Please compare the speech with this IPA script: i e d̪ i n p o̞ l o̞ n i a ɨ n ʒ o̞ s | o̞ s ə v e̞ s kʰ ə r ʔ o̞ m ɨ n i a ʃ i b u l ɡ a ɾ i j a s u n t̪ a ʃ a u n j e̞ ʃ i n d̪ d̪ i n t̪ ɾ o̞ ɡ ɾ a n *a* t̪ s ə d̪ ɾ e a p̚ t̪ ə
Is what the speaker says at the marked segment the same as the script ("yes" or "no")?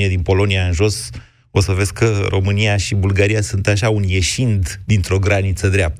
no